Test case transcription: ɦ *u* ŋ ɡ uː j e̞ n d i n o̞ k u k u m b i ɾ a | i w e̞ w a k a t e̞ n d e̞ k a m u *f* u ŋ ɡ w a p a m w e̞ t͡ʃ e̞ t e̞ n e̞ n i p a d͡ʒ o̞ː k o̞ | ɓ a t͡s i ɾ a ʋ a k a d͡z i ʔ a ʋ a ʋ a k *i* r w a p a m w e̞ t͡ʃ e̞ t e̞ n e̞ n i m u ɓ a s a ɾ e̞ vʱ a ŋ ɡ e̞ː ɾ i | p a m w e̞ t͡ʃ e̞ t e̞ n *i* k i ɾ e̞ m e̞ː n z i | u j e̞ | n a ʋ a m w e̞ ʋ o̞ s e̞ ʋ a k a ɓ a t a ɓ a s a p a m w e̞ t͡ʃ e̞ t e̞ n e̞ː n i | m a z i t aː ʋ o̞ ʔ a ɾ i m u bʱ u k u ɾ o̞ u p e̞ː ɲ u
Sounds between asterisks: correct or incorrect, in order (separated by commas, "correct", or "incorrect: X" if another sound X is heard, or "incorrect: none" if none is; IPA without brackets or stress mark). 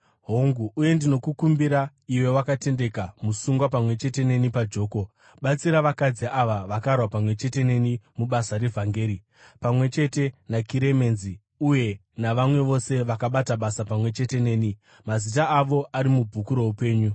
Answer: incorrect: o, incorrect: s, incorrect: a, incorrect: a